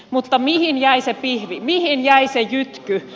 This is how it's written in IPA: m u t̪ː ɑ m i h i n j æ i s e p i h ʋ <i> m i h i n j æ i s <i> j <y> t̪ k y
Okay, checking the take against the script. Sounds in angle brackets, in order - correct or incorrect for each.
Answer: correct, incorrect, correct

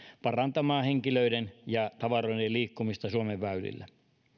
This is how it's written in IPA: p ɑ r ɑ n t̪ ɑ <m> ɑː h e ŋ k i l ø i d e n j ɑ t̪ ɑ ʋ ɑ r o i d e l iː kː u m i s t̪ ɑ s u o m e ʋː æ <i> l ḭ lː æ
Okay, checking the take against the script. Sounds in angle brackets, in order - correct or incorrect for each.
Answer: correct, incorrect

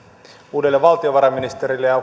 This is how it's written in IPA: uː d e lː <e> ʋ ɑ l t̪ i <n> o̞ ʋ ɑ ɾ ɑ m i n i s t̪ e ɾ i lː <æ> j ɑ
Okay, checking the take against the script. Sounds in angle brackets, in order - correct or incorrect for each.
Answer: correct, incorrect, incorrect

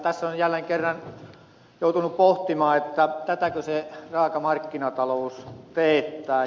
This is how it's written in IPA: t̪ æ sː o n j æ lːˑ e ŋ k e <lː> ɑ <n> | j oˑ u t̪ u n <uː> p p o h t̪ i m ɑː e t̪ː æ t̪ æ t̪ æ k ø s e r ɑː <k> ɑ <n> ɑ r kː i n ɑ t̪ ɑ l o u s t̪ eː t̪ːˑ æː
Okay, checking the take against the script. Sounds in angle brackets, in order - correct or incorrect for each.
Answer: incorrect, correct, incorrect, correct, incorrect

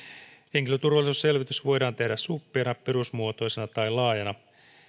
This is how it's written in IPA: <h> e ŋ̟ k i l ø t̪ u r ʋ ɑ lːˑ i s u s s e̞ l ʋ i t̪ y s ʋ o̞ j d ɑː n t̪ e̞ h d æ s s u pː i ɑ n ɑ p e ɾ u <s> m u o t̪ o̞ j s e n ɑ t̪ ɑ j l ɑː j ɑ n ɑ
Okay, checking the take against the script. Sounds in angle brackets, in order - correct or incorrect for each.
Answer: correct, correct

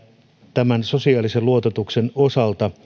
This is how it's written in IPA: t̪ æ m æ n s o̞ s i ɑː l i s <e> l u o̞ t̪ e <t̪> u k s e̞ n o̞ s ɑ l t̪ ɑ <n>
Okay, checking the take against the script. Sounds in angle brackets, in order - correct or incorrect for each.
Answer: correct, correct, incorrect

